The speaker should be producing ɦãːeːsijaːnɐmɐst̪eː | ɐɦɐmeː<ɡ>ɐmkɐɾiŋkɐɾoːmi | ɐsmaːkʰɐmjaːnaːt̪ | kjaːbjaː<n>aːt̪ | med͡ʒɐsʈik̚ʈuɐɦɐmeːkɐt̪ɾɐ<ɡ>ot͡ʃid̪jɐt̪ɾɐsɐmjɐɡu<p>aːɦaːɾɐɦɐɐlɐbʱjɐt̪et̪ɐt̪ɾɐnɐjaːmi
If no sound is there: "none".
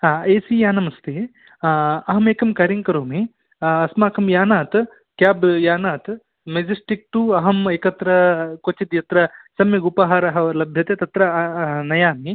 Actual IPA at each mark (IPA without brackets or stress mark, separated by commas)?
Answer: k, n, k, p